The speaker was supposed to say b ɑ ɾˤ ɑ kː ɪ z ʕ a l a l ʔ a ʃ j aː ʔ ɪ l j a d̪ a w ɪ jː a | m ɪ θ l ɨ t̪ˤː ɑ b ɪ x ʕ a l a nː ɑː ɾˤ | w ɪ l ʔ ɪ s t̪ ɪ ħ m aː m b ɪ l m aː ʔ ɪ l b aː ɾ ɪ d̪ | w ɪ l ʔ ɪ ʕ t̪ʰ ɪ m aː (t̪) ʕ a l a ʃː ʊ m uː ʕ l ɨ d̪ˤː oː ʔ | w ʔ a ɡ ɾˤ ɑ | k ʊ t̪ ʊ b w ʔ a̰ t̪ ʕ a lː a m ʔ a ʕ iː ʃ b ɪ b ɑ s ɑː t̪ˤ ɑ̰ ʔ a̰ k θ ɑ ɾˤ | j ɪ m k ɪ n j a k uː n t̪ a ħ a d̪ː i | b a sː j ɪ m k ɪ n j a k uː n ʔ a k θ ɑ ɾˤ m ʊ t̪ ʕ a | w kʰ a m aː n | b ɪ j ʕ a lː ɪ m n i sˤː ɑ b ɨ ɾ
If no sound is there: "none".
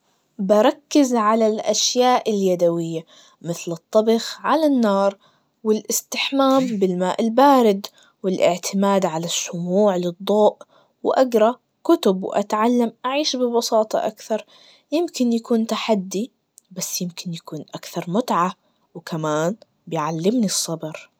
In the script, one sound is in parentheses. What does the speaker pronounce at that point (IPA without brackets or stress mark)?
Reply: d̪